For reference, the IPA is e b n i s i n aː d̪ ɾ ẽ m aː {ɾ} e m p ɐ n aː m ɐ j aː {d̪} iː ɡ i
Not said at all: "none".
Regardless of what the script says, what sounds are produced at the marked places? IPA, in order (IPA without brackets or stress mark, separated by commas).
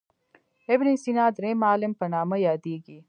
l, d̪